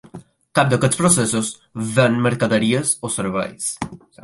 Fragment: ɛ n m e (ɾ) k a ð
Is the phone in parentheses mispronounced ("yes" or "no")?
no